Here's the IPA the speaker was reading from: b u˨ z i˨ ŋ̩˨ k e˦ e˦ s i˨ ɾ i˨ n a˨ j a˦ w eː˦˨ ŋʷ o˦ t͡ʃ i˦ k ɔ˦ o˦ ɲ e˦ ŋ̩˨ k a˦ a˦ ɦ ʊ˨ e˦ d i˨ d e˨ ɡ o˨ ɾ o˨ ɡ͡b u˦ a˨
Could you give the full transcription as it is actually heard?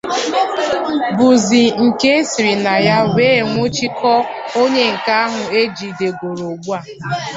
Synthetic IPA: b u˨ z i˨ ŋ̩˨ k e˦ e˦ s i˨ ɾ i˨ n a˨ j a˦ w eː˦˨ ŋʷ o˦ t͡ʃ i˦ k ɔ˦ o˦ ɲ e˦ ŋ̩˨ k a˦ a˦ ɦ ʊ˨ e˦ d͡ʒ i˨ d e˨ ɡ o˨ ɾ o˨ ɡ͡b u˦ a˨